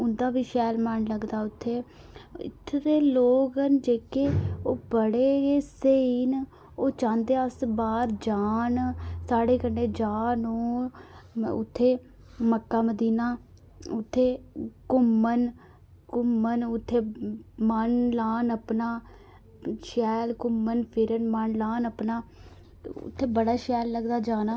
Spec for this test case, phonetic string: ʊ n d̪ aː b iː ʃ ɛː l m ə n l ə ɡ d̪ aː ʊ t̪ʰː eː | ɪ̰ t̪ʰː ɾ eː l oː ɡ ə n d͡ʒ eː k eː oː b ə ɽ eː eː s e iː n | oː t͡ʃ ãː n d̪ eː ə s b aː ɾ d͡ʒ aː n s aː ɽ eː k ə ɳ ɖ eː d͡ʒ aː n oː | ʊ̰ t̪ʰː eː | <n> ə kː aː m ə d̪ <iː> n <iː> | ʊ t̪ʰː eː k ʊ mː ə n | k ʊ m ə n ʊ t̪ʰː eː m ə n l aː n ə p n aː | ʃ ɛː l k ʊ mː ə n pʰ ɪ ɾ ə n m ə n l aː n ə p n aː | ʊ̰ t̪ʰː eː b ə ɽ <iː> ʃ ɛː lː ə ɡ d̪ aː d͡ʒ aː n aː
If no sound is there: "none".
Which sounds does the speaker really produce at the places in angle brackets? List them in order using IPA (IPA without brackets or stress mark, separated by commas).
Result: m, iː, aː, aː